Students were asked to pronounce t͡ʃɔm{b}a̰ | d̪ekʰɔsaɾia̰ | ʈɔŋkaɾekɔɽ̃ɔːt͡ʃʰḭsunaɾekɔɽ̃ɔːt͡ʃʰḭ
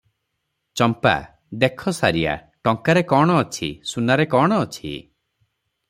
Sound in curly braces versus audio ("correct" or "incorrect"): incorrect